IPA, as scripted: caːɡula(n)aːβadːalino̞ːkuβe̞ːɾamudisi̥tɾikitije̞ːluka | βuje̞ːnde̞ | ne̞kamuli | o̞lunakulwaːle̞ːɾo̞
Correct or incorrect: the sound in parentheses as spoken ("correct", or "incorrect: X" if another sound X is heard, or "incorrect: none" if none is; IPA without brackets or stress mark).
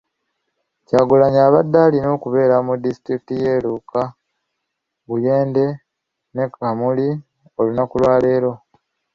incorrect: ɲ